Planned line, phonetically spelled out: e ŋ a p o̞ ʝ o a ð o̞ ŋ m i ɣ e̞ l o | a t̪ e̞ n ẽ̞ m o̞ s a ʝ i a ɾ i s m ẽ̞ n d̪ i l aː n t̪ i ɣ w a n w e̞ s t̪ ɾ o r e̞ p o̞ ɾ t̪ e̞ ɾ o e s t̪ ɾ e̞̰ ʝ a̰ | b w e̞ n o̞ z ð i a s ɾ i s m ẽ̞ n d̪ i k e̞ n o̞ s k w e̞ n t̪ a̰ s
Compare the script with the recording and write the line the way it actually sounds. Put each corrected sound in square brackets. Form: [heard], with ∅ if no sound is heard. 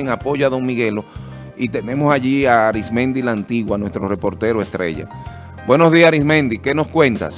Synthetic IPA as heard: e ŋ a p o̞ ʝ o a ð o̞ ŋ m i ɣ e̞ l o | [i] t̪ e̞ n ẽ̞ m o̞ s a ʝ i a ɾ i s m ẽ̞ n d̪ i l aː n t̪ i ɣ w a n w e̞ s t̪ ɾ o r e̞ p o̞ ɾ t̪ e̞ ɾ o e s t̪ ɾ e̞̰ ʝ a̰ | b w e̞ n o̞ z ð i a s ɾ i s m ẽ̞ n d̪ i k e̞ n o̞ s k w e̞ n t̪ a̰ s